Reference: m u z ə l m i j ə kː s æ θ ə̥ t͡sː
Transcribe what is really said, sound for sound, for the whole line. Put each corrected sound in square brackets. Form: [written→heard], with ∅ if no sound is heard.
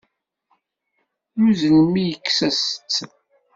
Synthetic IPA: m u z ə l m i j ə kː s æ [θ→s] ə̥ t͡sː